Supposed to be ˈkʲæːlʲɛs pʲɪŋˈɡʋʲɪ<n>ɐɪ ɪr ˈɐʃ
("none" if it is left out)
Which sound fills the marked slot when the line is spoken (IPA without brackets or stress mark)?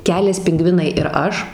n